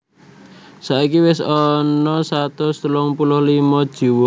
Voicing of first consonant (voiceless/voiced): voiceless